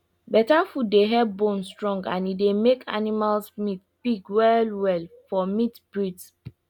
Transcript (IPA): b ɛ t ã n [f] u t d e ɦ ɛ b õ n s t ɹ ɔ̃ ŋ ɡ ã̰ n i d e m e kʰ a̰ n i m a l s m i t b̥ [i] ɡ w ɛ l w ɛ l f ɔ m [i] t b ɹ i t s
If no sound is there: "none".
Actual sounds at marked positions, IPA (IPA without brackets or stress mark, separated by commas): f, i, i